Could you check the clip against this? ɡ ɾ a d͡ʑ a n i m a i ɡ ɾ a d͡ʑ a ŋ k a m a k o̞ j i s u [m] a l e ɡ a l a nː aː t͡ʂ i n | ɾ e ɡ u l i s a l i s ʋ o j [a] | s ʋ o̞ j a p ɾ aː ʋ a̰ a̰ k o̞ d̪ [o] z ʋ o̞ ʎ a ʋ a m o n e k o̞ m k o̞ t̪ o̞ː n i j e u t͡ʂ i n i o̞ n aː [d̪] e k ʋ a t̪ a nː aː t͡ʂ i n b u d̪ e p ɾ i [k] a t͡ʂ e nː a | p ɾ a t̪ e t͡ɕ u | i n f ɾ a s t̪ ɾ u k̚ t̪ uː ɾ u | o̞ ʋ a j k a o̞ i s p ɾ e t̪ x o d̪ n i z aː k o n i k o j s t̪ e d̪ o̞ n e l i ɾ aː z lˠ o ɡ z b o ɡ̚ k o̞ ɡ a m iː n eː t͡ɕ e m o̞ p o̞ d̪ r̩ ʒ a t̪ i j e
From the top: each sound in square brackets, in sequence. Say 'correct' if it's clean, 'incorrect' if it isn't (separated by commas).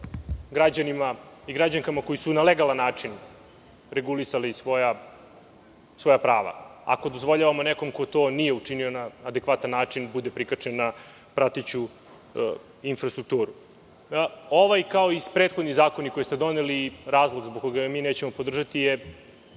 incorrect, correct, correct, correct, correct